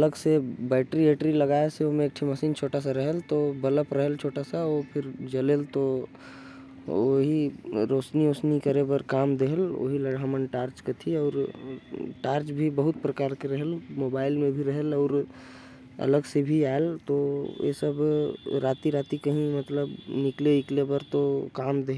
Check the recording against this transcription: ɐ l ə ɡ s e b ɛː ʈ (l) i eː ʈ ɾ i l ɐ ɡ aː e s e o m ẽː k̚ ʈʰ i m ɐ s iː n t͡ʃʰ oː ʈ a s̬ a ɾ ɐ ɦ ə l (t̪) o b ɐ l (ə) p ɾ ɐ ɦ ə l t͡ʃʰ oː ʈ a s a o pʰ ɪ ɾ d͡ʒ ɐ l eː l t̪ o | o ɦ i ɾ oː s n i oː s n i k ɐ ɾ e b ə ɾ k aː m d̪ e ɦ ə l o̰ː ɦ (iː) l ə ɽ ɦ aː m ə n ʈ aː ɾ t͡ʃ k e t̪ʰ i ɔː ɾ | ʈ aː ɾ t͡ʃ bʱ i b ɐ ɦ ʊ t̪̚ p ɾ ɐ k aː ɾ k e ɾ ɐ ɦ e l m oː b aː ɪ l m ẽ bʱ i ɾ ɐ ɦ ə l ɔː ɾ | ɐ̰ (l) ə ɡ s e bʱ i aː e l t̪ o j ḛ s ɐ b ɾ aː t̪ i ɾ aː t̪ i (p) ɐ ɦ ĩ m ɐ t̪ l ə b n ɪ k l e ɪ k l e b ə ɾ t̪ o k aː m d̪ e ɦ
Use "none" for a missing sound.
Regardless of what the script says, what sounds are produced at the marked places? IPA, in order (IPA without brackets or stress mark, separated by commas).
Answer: ɾ, t̪, ə, i, l, k